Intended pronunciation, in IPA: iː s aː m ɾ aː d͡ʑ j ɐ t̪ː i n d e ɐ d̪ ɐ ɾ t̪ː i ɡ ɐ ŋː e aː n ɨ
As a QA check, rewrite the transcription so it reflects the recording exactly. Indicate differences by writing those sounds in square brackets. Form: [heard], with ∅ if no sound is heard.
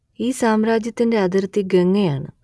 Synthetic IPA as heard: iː s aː m ɾ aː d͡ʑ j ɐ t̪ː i n d e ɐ d̪ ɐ ɾ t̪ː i ɡ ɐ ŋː e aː [ɳ] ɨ